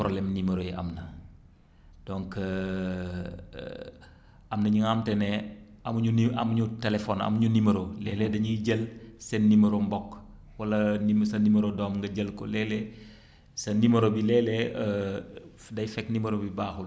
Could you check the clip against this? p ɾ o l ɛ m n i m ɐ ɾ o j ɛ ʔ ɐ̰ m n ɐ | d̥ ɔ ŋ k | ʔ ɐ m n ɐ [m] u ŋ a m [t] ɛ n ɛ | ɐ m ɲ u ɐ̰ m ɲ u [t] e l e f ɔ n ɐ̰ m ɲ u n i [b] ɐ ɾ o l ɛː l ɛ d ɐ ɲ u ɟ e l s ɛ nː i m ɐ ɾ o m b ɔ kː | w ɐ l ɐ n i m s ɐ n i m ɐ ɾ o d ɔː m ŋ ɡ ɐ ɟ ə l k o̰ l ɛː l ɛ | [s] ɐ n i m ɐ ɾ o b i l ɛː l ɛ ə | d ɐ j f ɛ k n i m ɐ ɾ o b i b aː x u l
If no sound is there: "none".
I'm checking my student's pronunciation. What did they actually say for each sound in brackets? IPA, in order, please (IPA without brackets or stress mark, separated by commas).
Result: ɲ, t, t, m, s